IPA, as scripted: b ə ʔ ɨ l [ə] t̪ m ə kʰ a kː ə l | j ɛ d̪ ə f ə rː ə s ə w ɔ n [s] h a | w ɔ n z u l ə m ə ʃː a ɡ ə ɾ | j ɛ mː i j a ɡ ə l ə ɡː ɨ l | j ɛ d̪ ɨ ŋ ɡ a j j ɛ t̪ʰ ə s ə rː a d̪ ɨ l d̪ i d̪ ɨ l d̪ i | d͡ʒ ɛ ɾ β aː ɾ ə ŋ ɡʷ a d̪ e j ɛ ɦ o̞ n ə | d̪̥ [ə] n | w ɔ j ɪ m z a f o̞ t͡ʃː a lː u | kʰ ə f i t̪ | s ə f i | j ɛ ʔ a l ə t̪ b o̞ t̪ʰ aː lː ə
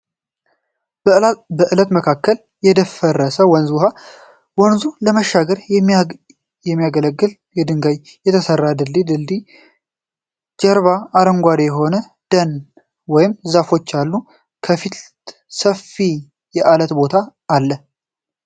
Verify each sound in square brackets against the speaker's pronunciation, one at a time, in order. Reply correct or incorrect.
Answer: correct, incorrect, correct

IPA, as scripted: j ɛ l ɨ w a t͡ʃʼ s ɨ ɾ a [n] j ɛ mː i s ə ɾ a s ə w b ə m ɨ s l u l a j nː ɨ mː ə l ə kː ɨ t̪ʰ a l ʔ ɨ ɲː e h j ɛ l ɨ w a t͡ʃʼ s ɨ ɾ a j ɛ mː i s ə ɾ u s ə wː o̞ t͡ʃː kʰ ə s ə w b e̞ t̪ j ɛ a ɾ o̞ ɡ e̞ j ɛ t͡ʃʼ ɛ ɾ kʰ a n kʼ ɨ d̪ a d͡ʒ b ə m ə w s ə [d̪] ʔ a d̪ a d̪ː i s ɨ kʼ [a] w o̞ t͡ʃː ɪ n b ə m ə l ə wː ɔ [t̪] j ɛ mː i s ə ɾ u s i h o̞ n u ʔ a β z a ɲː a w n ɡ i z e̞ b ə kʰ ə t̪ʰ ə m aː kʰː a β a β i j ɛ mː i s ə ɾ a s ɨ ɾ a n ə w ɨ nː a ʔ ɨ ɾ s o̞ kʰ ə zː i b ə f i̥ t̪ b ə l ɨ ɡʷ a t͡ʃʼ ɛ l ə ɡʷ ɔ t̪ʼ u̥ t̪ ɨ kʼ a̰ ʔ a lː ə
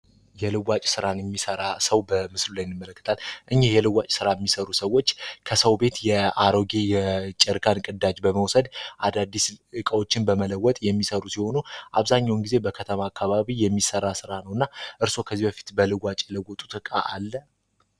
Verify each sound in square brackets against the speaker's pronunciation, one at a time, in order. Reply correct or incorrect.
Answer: correct, correct, incorrect, incorrect

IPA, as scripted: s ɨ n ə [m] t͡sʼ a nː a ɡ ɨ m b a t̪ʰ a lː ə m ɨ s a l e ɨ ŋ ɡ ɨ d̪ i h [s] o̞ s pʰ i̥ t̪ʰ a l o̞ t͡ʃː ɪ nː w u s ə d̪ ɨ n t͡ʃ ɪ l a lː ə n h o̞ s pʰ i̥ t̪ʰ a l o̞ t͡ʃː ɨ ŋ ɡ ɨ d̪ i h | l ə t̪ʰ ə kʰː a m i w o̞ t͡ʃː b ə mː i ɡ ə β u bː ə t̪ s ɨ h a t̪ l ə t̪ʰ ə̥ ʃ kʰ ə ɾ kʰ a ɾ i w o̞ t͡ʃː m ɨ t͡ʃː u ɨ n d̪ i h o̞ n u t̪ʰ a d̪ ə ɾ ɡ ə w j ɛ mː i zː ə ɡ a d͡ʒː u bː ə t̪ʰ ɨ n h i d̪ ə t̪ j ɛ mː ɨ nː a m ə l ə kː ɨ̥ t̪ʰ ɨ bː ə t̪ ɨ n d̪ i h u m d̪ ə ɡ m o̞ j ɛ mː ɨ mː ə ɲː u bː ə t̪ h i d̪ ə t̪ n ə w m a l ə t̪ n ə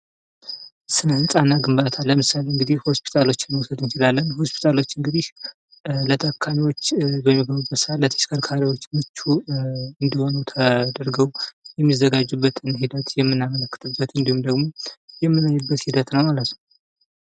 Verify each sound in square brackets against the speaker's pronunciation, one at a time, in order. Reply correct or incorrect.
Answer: incorrect, incorrect

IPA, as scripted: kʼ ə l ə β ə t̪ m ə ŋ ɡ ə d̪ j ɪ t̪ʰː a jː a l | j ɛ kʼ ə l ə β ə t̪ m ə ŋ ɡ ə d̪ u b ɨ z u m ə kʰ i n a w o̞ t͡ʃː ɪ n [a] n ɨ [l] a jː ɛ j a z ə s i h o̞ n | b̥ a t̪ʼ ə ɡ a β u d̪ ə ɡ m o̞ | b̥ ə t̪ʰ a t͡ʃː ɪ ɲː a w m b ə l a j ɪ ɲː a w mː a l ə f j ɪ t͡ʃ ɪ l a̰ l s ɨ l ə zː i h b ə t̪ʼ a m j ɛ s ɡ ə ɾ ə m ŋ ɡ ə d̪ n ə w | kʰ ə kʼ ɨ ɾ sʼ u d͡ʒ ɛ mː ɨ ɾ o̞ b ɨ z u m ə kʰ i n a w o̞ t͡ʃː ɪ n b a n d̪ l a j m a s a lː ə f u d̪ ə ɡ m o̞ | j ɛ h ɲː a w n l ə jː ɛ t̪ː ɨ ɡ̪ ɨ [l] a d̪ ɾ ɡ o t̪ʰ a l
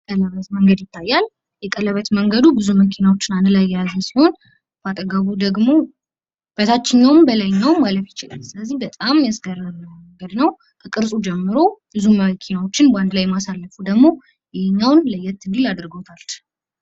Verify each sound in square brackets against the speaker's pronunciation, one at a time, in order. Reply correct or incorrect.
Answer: correct, correct, correct

